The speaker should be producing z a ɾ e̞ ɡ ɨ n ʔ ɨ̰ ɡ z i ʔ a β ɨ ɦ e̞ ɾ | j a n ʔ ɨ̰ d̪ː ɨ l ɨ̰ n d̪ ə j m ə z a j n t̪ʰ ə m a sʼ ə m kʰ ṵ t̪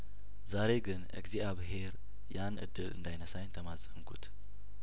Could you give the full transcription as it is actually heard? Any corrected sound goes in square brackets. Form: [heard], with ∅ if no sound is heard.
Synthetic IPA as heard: z a ɾ e̞ ɡ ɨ n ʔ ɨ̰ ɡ z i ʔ a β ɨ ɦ e̞ ɾ | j a n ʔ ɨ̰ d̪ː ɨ l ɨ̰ n d̪ [a] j [n] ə [s] a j n t̪ʰ ə m a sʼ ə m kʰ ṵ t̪